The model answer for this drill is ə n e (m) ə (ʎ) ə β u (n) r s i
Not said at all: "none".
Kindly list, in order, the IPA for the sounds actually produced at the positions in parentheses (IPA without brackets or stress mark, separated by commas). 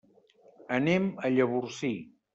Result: m, ʎ, none